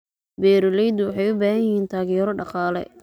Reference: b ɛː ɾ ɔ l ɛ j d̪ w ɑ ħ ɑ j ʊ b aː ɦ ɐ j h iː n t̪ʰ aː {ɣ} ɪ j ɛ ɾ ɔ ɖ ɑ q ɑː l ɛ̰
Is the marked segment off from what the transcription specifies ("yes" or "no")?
no